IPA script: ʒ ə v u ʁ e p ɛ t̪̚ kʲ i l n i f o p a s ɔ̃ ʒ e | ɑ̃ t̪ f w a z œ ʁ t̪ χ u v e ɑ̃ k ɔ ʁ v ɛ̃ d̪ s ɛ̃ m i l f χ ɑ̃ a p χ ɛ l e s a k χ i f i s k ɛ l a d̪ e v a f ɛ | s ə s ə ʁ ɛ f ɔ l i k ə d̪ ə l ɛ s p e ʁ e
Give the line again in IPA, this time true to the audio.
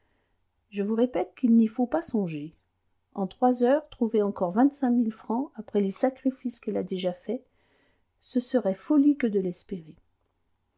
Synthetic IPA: ʒ ə v u ʁ e p ɛ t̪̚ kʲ i l n i f o p a s ɔ̃ ʒ e | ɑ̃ t̪ χ w a z œ ʁ t̪ χ u v e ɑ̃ k ɔ ʁ v ɛ̃ t̪ s ɛ̃ m i l f χ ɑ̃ a p χ ɛ l e s a k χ i f i s k ɛ l a d̪ e ʒ a f ɛ | s ə s ə ʁ ɛ f ɔ l i k ə d̪ ə l ɛ s p e ʁ e

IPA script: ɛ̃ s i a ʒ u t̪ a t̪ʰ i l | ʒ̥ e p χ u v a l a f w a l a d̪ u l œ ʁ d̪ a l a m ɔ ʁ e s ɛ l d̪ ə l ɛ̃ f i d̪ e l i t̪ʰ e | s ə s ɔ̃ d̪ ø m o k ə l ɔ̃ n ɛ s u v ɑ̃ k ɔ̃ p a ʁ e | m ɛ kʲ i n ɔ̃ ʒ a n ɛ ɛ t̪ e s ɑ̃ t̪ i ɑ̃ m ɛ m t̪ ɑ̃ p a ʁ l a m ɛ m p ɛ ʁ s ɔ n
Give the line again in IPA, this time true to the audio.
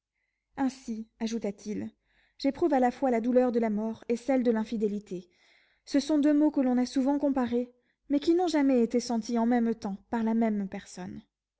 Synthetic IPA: ɛ̃ s i a ʒ u t̪ a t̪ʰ i l | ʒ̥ e p χ u v a l a f w a l a d̪ u l œ ʁ d̪ ə l a m ɔ ʁ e s ɛ l d̪ ə l ɛ̃ f i d̪ e l i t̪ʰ e | s ə s ɔ̃ d̪ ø m o k ə l ɔ̃ n a s u v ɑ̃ k ɔ̃ p a ʁ e | m ɛ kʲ i n ɔ̃ ʒ a m ɛ e t̪ e s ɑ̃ t̪ i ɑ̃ m ɛ m t̪ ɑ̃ p a ʁ l a m ɛ m p ɛ ʁ s ɔ n

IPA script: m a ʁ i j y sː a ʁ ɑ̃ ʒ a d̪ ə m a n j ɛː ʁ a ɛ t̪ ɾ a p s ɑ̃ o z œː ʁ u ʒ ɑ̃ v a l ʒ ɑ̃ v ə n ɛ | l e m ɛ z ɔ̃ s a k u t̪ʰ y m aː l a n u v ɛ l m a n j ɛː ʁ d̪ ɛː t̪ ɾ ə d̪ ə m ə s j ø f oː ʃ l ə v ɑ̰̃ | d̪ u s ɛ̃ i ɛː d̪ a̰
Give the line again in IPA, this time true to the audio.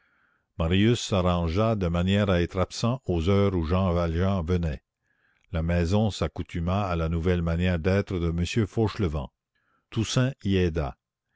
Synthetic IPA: m a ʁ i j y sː a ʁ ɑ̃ ʒ a d̪ ə m a n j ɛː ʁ a ɛ t̪ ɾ a p s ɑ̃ o z œː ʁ u ʒ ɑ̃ v a l ʒ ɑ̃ v ə n ɛ | l a m ɛ z ɔ̃ s a k u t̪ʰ y m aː l a n u v ɛ l m a n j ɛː ʁ d̪ ɛː t̪ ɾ ə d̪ ə m ə s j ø f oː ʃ l ə v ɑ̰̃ | t̪ u s ɛ̃ i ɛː d̪ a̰

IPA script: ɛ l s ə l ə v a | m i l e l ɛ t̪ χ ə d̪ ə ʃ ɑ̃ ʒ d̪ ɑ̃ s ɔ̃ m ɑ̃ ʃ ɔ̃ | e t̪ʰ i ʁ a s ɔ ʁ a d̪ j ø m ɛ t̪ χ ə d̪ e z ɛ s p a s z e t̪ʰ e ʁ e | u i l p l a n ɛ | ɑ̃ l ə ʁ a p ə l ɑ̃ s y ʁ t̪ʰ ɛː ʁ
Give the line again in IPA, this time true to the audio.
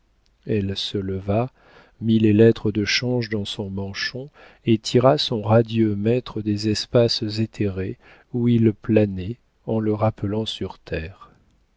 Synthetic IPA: ɛ l s ə l ə v a | m i l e l ɛ t̪ χ ə d̪ ə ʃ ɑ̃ ʒ d̪ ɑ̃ s ɔ̃ m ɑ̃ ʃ ɔ̃ | e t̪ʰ i ʁ a s ɔ̃ ʁ a d̪ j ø m ɛ t̪ χ ə d̪ e z ɛ s p a s z e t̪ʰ e ʁ e | u i l p l a n ɛ | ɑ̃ l ə ʁ a p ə l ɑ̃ s y ʁ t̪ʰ ɛː ʁ

